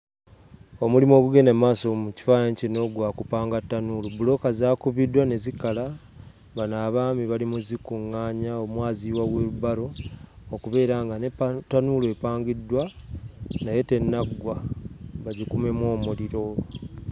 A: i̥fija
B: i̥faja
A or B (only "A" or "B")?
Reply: B